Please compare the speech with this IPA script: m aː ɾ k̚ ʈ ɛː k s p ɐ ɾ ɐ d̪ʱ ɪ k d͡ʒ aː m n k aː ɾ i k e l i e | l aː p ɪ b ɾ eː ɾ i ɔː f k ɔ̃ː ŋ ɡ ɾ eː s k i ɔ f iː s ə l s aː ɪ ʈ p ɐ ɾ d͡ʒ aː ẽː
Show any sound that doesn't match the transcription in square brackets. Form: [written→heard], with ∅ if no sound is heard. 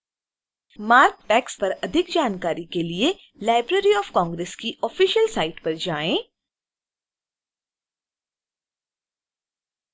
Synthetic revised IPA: m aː ɾ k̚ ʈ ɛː k s p ɐ ɾ ɐ d̪ʱ ɪ k d͡ʒ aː [m→∅] n k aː ɾ i k e l i e | l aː [p→∅] ɪ b ɾ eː ɾ i ɔː f k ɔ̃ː ŋ ɡ ɾ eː s k i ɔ f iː [s→ʃ] ə l s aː ɪ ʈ p ɐ ɾ d͡ʒ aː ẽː

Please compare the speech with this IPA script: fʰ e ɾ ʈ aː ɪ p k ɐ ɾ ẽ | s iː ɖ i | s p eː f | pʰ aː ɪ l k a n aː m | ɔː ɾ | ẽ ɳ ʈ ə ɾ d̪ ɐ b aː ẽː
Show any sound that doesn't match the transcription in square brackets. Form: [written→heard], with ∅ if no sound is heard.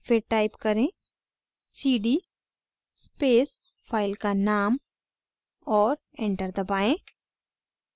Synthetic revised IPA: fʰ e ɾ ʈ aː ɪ p k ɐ ɾ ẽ | s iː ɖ i | s p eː [f→s] | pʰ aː ɪ l k a n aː m | ɔː ɾ | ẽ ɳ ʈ ə ɾ d̪ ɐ b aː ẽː

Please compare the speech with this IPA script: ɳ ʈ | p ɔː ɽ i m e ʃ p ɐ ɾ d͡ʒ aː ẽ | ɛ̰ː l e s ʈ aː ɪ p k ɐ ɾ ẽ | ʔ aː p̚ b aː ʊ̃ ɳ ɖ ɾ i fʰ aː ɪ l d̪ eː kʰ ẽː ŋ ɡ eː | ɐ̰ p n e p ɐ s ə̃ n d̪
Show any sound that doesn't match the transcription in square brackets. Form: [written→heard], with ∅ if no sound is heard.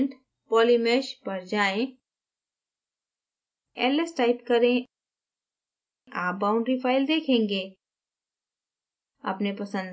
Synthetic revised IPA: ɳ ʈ | p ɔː [ɽ→l] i m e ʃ p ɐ ɾ d͡ʒ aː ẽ | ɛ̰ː l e s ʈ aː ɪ p k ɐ ɾ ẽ | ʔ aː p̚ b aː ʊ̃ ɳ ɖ ɾ i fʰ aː ɪ l d̪ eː kʰ ẽː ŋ ɡ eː | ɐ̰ p n e p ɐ s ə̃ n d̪

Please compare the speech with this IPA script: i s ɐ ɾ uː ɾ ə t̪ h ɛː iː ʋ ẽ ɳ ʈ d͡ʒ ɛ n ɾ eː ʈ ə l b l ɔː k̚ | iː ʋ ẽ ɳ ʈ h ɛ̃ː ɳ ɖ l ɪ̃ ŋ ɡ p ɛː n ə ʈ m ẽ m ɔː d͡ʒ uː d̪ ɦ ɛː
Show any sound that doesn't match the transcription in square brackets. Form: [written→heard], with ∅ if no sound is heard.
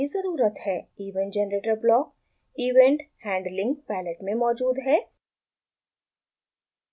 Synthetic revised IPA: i [s→z] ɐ ɾ uː ɾ ə t̪ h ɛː iː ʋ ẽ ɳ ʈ d͡ʒ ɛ n ɾ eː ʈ ə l b l ɔː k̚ | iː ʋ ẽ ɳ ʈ h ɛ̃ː ɳ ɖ l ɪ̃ ŋ ɡ p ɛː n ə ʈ m ẽ m ɔː d͡ʒ uː d̪ ɦ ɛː

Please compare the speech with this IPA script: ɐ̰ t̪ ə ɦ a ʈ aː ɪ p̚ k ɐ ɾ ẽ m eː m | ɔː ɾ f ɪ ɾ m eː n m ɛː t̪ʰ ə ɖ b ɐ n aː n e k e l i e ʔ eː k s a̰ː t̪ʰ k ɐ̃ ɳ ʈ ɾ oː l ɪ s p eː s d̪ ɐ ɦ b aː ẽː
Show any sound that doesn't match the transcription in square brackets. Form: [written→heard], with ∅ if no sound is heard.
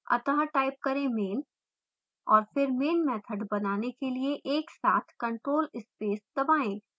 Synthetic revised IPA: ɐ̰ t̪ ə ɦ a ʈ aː ɪ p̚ k ɐ ɾ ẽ m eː [m→n] | ɔː ɾ f ɪ ɾ m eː n m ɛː t̪ʰ ə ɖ b ɐ n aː n e k e l i e ʔ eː k s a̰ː t̪ʰ k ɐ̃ ɳ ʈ ɾ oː l ɪ s p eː s d̪ ɐ [ɦ→∅] b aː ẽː

